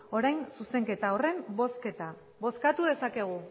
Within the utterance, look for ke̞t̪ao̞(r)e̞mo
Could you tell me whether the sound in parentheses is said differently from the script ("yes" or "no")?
no